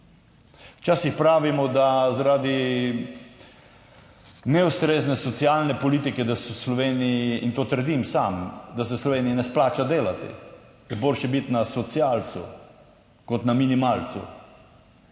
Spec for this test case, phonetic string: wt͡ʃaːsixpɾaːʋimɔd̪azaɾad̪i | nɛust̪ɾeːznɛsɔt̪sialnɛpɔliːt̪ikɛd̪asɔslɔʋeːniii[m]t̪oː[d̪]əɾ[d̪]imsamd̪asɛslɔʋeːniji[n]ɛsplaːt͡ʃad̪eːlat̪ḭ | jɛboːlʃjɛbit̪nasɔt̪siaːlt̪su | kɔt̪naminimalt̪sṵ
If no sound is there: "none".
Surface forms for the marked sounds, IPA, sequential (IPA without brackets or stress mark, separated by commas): n, t̪, d̪, n